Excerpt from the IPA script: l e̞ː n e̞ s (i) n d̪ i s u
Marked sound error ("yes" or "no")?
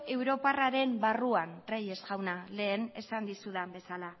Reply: yes